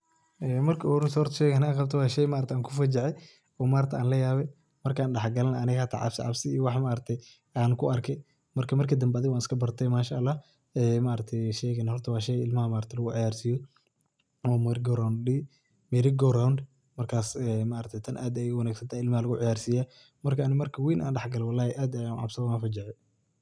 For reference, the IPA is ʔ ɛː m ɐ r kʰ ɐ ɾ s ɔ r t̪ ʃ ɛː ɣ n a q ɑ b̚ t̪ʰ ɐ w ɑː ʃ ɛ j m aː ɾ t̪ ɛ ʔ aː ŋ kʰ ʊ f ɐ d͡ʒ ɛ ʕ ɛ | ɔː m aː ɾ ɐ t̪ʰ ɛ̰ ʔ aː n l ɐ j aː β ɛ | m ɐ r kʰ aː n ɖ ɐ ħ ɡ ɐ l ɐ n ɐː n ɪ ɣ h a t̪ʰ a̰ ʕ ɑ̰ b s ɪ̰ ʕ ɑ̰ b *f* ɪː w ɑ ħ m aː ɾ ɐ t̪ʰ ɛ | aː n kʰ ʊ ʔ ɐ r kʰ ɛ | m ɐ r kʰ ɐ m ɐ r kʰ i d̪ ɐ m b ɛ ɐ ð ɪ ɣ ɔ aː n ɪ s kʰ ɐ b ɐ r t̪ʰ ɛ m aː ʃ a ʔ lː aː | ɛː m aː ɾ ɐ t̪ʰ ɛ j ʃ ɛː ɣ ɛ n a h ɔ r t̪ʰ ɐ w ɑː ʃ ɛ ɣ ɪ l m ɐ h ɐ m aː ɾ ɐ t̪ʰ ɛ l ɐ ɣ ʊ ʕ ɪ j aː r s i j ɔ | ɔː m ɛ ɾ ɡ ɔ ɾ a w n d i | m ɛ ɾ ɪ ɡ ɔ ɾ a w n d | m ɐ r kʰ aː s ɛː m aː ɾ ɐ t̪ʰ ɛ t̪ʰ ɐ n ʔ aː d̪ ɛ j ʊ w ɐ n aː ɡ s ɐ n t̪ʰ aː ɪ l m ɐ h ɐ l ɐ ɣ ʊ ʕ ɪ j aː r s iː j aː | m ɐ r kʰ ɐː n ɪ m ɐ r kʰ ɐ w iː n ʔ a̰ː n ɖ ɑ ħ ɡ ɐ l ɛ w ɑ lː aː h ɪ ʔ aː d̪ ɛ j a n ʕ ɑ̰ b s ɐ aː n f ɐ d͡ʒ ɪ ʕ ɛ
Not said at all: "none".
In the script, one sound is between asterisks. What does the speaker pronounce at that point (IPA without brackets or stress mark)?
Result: s